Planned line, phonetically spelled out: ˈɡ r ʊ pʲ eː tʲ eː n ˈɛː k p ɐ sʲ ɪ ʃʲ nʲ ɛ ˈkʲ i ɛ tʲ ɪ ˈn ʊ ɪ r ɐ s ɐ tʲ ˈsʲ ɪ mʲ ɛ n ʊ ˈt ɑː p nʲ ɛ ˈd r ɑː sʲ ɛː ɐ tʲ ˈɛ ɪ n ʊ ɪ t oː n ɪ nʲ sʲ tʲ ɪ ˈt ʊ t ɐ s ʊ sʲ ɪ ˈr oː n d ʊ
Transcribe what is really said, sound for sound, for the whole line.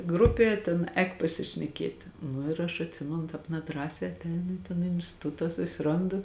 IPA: ˈɡ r ʊ pʲ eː tʲ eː n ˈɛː k p ɐ sʲ ɪ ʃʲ nʲ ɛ ˈkʲ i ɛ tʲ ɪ ˈn ʊ ɪ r ɐ ʃ ɐ tʲ ˈsʲ ɪ mʲ ɛ n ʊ ˈt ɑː p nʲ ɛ ˈd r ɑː sʲ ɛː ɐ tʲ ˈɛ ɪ n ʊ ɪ t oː n ɪ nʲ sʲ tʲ ɪ ˈt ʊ t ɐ s ʊ sʲ ɪ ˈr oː n d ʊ